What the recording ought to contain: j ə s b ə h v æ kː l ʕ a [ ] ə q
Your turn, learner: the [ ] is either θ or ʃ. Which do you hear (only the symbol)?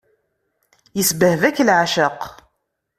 ʃ